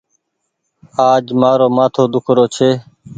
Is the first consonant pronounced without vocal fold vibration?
no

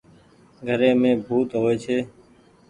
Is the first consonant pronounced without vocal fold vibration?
no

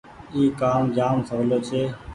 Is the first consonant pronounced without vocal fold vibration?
yes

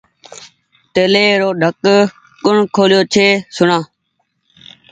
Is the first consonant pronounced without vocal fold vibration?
yes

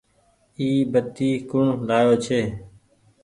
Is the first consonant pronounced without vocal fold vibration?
no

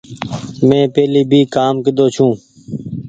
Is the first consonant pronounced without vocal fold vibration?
no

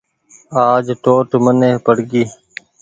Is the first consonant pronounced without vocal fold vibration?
no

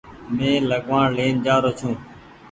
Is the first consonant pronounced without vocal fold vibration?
no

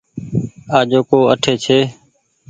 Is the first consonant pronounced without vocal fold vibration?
no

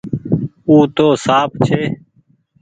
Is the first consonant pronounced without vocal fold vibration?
yes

